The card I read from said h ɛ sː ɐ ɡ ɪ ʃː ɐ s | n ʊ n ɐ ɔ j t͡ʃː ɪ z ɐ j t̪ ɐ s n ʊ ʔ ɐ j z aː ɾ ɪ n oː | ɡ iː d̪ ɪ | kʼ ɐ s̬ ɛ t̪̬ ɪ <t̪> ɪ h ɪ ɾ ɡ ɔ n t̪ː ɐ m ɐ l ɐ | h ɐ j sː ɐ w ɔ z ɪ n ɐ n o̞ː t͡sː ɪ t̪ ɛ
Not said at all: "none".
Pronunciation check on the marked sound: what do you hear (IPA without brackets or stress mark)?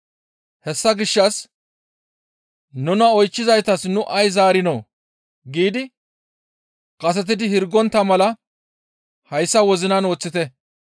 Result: d̪